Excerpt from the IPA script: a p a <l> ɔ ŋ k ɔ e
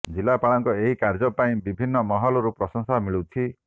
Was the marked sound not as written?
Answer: yes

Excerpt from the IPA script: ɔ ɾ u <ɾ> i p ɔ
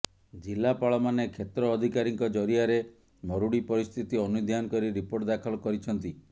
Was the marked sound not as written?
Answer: yes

